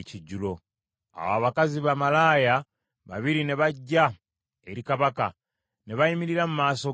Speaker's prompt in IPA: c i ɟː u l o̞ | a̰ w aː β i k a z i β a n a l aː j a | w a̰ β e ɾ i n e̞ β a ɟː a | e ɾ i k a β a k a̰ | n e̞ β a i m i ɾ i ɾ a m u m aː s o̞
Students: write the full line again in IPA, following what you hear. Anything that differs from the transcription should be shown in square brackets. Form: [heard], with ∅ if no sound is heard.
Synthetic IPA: c i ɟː u l o̞ | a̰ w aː β [a] k a z i β a [m] a l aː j a | [β] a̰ β [i] ɾ i n e̞ β a ɟː a | e ɾ i k a β a k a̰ | n e̞ β a i m i ɾ i ɾ a m u m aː s o̞